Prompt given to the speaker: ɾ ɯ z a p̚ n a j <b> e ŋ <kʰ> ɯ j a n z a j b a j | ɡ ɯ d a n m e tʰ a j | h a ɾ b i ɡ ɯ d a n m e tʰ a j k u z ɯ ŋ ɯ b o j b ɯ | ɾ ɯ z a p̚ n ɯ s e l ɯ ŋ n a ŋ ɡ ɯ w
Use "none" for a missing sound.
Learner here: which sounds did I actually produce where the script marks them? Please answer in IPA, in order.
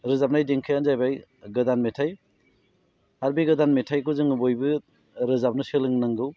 d, kʰ

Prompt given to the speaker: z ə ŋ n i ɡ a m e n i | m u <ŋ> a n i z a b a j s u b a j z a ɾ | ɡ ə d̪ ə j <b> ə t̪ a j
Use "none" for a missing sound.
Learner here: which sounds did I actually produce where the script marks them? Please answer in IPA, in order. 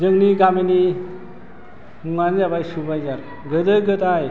ŋ, ɡ

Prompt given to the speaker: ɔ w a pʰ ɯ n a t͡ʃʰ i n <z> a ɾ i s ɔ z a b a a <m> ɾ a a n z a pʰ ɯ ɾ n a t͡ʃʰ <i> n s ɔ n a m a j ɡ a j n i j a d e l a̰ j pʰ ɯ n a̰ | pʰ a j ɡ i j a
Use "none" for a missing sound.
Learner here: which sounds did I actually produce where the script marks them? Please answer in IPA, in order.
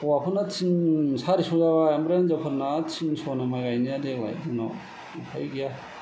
s, m, i

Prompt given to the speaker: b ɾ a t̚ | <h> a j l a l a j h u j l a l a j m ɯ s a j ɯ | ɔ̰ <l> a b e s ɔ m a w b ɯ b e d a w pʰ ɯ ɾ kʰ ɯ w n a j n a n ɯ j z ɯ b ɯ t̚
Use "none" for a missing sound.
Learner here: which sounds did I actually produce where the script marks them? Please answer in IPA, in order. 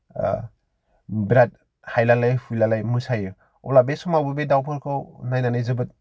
h, l

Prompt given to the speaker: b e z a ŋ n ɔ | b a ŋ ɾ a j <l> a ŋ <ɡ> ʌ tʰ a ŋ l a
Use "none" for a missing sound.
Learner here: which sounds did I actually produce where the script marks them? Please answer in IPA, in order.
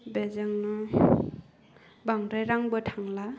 ɾ, b

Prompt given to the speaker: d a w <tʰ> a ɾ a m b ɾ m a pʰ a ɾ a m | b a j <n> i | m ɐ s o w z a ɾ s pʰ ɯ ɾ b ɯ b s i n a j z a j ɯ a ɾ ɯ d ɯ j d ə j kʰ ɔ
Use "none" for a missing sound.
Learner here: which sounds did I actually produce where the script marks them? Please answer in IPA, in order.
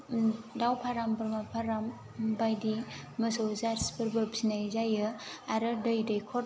pʰ, d

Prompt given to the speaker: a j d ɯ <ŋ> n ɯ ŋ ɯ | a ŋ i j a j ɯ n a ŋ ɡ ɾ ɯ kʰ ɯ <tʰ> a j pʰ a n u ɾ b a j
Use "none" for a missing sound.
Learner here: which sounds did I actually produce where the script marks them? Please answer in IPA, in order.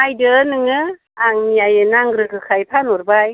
none, kʰ

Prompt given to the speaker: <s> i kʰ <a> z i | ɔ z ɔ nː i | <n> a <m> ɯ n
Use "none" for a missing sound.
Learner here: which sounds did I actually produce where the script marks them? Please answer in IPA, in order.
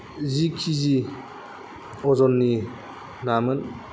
z, i, n, m

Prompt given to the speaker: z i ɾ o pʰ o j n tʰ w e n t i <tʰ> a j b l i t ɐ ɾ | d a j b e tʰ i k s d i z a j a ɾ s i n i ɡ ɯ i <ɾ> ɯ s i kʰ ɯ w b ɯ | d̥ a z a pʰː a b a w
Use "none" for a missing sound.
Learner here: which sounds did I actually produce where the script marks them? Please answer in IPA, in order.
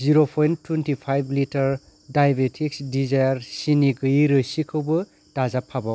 pʰ, ɾ

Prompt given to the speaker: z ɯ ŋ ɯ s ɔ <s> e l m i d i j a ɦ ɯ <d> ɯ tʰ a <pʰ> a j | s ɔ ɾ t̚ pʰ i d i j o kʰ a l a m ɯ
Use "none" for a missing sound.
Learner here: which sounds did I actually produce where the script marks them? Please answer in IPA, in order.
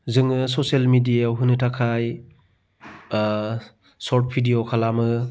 s, n, kʰ

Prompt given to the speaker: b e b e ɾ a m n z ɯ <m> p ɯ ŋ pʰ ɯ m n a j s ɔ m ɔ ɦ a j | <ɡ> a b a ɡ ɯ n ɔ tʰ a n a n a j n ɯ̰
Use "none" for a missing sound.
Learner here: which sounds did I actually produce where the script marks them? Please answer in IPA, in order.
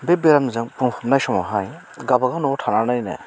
ŋ, ɡ

